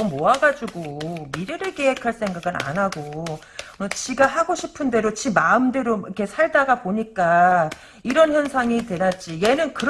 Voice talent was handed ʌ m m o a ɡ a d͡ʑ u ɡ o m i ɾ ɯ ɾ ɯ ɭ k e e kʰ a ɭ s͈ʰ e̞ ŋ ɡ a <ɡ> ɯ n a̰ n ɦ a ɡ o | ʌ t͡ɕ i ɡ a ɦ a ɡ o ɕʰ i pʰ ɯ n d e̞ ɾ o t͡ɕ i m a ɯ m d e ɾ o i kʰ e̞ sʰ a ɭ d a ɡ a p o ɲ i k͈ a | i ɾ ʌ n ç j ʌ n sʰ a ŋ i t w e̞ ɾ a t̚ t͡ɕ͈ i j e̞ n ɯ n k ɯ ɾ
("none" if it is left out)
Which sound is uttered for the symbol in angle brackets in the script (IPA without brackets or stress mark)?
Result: ɡ